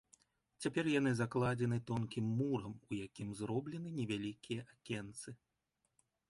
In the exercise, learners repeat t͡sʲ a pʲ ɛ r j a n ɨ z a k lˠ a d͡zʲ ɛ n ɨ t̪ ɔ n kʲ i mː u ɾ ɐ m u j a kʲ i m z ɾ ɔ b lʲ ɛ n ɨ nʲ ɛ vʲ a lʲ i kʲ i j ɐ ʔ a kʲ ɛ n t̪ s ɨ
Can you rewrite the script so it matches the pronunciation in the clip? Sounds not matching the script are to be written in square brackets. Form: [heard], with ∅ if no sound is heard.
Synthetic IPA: t͡sʲ a pʲ ɛ r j a n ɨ z a k lˠ a d͡zʲ ɛ n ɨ t̪ ɔ n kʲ i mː u ɾ ɐ m u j a kʲ i m z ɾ ɔ b lʲ ɛ n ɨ nʲ ɛ vʲ a lʲ i kʲ i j ɐ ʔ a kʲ ɛ n t̪ s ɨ

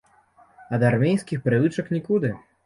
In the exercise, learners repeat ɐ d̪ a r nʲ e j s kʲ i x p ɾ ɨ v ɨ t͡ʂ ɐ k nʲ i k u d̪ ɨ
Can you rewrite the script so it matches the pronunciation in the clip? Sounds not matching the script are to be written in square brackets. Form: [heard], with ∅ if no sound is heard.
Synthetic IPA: ɐ d̪ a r [mʲ] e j s kʲ i x p ɾ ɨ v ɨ t͡ʂ ɐ k nʲ i k u d̪ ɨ

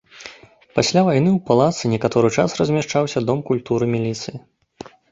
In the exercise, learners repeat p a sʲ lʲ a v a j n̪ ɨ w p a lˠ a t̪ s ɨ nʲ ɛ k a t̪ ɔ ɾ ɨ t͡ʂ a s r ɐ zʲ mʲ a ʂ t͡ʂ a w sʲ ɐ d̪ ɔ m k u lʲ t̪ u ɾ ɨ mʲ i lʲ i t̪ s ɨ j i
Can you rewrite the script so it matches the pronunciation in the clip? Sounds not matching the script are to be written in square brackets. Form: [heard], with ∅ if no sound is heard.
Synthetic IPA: p a sʲ lʲ a v a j n̪ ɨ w p a lˠ a t̪ s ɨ nʲ ɛ k a t̪ ɔ ɾ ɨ t͡ʂ a s r ɐ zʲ mʲ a ʂ t͡ʂ a w sʲ ɐ d̪ ɔ m k u lʲ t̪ u ɾ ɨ mʲ i lʲ i t̪ s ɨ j i

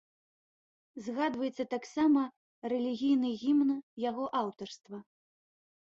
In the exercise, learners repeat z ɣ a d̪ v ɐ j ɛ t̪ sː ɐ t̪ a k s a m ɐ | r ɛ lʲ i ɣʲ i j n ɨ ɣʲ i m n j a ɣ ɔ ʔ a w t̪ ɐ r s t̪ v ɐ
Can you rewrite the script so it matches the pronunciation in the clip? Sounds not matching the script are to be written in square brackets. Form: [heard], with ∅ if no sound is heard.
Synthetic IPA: z ɣ a d̪ v ɐ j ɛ t̪ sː ɐ t̪ a k s a m ɐ | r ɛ lʲ i ɣʲ i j n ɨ ɣʲ i m n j a ɣ ɔ ʔ a w t̪ ɐ r s t̪ v ɐ

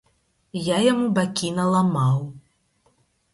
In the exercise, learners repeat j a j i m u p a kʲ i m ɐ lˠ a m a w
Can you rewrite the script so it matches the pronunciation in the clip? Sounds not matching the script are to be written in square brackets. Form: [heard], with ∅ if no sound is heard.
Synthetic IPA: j a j [a] m u [b] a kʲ i [n] ɐ lˠ a m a w

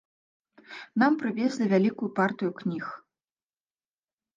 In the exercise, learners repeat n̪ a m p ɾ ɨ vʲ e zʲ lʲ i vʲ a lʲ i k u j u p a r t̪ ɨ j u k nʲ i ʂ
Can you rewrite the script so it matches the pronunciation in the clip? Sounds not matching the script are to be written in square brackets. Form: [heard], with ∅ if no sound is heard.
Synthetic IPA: n̪ a m p ɾ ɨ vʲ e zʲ lʲ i vʲ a lʲ i k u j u p a r t̪ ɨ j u k nʲ i [x]

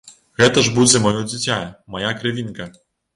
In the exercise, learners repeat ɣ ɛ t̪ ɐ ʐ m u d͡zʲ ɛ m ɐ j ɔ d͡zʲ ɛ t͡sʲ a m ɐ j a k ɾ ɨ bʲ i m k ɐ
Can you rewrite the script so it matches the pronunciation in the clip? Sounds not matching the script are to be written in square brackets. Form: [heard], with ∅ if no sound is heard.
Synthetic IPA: ɣ ɛ t̪ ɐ ʐ [b] u d͡zʲ ɛ m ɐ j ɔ d͡zʲ [i] t͡sʲ a m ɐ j a k ɾ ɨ [vʲ] i [n] k ɐ

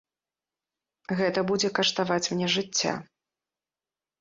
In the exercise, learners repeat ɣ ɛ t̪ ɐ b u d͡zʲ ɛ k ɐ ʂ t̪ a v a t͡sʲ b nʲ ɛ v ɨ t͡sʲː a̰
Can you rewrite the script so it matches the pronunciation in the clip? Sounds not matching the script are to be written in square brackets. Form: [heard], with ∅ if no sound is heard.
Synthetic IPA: ɣ ɛ t̪ ɐ b u d͡zʲ ɛ k ɐ ʂ t̪ a v a t͡sʲ [m] nʲ ɛ [ʐ] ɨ t͡sʲː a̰

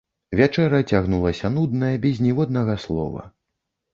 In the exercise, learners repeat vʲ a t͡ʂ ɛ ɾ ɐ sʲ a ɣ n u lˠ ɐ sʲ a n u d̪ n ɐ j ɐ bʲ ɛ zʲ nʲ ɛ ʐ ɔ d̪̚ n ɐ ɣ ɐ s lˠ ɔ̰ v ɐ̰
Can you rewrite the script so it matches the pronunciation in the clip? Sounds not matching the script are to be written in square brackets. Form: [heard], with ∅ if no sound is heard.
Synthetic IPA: vʲ a t͡ʂ ɛ ɾ ɐ [t͡sʲ] a ɣ n u lˠ ɐ sʲ [ɐ] n u d̪ n ɐ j ɐ bʲ ɛ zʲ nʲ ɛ [v] ɔ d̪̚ n ɐ ɣ ɐ s lˠ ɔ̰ v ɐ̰

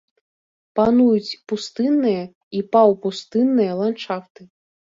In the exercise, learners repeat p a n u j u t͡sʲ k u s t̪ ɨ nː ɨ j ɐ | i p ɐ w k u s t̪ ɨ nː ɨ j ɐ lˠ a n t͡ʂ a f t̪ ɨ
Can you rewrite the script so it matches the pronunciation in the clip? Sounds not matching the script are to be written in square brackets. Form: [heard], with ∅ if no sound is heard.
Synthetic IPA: p a n u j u t͡sʲ [p] u s t̪ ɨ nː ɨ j ɐ | i p [a] w [p] u s t̪ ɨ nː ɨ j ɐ lˠ a n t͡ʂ a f t̪ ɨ

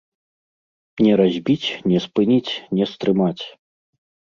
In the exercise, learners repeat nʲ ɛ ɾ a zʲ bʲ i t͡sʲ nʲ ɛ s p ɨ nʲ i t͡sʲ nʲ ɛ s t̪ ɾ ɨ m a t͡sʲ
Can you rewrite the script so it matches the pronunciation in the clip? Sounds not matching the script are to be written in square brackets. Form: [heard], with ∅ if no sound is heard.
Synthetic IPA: nʲ ɛ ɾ a zʲ bʲ i t͡sʲ nʲ ɛ s p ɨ nʲ i t͡sʲ nʲ ɛ s t̪ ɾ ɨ m a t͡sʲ

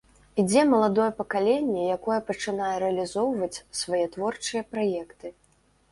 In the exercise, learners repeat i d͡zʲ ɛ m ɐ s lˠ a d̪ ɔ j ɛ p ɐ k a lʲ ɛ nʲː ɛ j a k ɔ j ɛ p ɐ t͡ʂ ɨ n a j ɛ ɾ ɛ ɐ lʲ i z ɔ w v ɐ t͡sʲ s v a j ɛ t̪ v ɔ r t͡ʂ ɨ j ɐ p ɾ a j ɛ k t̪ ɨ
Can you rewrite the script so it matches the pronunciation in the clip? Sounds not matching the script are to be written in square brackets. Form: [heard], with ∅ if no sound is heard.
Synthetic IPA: i d͡zʲ ɛ m ɐ [∅] lˠ a d̪ ɔ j ɛ p ɐ k a lʲ ɛ nʲː ɛ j a k ɔ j ɛ p ɐ t͡ʂ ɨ n a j ɛ ɾ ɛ ɐ lʲ i z ɔ w v ɐ t͡sʲ s v a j ɛ t̪ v ɔ r t͡ʂ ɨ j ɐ p ɾ a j ɛ k t̪ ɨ

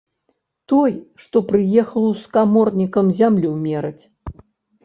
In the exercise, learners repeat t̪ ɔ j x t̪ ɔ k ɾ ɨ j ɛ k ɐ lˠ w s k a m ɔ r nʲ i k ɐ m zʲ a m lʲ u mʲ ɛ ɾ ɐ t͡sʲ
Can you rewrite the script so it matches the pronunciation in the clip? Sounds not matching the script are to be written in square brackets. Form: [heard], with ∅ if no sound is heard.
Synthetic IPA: t̪ ɔ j [ʂ] t̪ ɔ [p] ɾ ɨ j ɛ [x] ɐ lˠ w s k a m ɔ r nʲ i k ɐ m zʲ a m lʲ u mʲ ɛ ɾ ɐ t͡sʲ

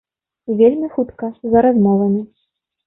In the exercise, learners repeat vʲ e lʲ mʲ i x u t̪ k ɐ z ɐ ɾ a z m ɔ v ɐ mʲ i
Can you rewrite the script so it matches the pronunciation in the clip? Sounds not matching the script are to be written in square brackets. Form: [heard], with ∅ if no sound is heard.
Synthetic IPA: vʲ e lʲ mʲ i x u t̪ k ɐ z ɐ ɾ a z m ɔ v ɐ mʲ i

